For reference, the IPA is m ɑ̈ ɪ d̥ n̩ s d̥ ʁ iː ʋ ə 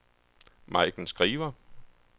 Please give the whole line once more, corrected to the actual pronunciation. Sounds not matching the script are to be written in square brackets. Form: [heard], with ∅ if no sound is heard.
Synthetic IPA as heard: m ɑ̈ ɪ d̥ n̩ s [ɡ̥] ʁ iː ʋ [ɐ]